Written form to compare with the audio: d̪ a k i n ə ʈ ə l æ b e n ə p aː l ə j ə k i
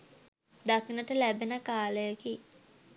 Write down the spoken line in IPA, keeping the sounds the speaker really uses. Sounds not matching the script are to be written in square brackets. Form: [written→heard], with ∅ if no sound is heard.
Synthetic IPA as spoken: d̪ a k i n ə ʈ ə l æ b e n ə [p→k] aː l ə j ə k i